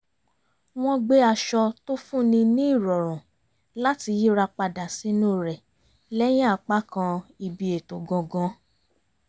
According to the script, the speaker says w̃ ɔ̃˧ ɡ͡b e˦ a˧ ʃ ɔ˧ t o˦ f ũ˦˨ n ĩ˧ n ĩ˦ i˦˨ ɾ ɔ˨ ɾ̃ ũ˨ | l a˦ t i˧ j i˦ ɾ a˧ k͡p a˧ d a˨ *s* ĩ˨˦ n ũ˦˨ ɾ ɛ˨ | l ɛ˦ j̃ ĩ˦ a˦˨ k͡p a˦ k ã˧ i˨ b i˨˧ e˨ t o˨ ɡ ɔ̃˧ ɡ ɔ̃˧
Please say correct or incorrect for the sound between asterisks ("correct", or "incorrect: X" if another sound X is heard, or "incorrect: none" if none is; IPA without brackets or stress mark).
correct